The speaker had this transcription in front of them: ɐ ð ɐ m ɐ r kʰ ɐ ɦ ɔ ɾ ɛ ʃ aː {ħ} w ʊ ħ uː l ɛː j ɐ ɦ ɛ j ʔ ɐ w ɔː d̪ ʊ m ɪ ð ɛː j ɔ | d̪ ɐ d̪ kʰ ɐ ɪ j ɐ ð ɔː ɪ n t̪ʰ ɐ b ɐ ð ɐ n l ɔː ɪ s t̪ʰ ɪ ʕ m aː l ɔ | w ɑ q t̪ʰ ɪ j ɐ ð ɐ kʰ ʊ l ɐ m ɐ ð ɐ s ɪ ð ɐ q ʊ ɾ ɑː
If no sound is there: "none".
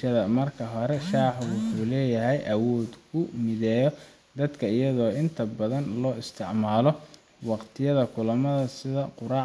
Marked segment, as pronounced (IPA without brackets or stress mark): ħ